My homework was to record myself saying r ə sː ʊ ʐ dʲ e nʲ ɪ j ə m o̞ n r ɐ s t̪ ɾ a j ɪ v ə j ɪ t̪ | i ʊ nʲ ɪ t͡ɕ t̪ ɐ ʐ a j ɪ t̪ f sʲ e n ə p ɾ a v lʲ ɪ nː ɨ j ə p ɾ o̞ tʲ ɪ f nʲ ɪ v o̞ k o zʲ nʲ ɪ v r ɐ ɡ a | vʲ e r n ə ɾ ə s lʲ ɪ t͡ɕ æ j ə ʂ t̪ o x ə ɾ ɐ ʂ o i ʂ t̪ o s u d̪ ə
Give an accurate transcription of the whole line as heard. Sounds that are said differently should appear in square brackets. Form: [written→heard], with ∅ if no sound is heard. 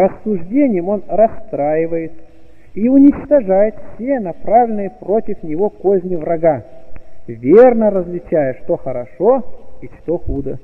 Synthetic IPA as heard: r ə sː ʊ ʐ dʲ e nʲ ɪ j ə m o̞ n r ɐ s t̪ ɾ a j ɪ v ə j ɪ t̪ | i ʊ nʲ ɪ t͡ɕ t̪ ɐ ʐ a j ɪ t̪ f sʲ e n [ə→ɐ] p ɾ a v lʲ ɪ [nː→n] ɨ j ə p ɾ o̞ tʲ ɪ f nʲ ɪ v o̞ k o zʲ nʲ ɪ v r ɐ ɡ a | vʲ e r n ə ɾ ə [s→z] lʲ ɪ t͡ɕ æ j ə ʂ t̪ o x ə ɾ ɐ ʂ o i ʂ t̪ o [s→x] u d̪ ə